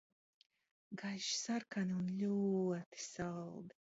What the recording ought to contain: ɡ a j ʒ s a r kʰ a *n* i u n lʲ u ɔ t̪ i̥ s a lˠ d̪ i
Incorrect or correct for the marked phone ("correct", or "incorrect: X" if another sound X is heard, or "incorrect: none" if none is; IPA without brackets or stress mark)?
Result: correct